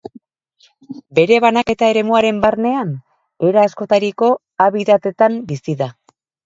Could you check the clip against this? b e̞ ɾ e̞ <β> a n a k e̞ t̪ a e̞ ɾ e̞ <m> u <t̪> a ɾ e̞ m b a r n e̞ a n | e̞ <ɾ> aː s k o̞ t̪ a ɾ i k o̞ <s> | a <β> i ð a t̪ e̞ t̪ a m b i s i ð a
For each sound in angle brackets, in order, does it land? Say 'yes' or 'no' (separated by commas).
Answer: yes, yes, no, yes, no, yes